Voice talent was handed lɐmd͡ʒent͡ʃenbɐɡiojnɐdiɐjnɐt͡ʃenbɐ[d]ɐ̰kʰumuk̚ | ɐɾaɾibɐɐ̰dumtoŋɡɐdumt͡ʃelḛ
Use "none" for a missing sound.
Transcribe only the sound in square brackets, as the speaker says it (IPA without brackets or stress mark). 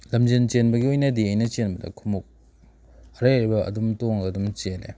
d